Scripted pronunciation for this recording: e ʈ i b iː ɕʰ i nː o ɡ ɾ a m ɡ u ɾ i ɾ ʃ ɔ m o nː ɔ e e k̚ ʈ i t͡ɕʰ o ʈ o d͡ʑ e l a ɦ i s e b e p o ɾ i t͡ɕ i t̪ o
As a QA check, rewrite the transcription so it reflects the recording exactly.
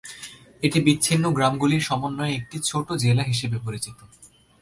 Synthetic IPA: e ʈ i b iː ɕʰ i nː o ɡ ɾ a m ɡ u l i ɾ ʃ ɔ m o nː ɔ e e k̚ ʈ i t͡ɕʰ o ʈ o d͡ʑ e l a ɦ i ʃ e b e p o ɾ i t͡ɕ i t̪ o